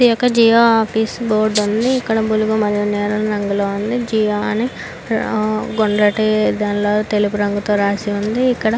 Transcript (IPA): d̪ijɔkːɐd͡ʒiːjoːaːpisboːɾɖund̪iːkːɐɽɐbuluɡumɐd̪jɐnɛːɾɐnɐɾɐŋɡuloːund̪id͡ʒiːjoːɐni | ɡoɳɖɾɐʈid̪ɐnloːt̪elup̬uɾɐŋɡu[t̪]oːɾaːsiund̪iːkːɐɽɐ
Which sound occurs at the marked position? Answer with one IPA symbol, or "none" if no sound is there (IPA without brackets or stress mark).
t̪